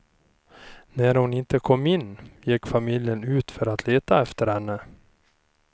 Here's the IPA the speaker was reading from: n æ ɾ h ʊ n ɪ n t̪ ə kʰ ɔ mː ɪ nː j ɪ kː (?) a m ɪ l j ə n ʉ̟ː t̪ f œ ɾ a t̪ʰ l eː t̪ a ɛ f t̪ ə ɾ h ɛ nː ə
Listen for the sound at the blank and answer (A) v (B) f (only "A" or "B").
B